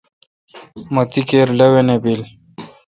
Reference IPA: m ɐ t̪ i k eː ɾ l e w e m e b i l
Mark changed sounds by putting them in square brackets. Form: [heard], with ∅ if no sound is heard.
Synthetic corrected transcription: m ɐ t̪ i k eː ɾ l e w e [n] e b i l